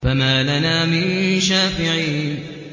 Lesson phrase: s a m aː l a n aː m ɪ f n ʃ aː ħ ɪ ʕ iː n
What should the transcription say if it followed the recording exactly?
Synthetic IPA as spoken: f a m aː l a n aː m ɪ n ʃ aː f ɪ ʕ iː n